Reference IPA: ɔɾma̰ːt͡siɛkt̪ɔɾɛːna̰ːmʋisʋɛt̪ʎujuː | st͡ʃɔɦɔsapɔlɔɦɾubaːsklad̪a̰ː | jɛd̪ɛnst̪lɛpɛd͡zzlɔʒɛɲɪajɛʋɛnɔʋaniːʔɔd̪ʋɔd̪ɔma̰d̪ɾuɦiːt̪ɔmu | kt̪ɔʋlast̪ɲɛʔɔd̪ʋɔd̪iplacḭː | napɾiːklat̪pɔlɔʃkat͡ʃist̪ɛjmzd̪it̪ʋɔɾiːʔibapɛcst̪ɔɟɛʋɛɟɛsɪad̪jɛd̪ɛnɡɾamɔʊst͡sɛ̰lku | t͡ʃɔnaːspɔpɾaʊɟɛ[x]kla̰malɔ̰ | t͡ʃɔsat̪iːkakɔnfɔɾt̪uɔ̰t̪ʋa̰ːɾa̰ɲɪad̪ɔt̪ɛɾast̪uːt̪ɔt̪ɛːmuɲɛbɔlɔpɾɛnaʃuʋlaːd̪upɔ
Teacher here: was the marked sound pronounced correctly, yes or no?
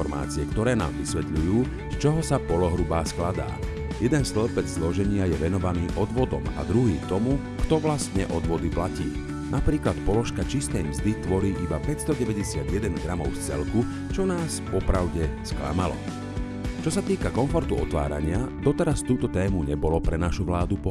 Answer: no